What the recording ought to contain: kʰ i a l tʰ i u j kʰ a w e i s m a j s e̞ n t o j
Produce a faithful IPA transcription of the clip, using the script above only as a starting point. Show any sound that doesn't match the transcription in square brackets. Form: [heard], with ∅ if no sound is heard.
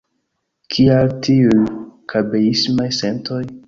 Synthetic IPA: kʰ i a l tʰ i u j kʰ a [b] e i s m a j s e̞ n t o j